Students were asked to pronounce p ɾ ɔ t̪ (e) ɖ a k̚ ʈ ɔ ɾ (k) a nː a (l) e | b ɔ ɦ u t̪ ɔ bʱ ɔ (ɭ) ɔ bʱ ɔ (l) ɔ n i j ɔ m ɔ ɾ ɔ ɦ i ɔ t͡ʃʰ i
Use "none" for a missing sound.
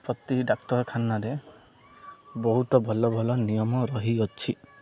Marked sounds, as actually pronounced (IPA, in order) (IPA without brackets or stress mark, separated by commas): i, kʰ, ɾ, l, l